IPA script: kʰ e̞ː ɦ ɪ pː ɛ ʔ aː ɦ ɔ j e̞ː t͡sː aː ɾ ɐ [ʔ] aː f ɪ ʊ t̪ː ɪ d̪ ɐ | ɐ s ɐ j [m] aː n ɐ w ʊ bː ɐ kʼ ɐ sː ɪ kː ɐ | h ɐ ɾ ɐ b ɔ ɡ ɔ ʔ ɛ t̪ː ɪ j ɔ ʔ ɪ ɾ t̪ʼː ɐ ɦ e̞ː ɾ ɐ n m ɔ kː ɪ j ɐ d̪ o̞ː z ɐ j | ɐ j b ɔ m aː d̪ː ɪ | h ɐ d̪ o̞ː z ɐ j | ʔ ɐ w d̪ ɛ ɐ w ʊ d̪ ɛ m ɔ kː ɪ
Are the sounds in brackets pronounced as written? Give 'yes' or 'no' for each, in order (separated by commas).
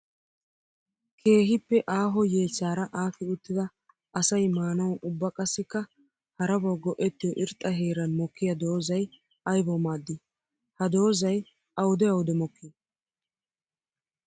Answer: yes, yes